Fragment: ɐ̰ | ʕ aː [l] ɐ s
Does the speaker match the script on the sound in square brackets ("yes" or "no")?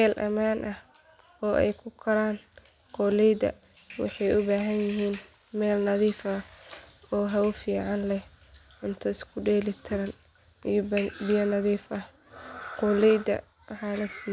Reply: yes